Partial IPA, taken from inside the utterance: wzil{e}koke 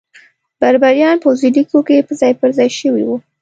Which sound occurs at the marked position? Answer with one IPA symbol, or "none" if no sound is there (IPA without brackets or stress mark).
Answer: i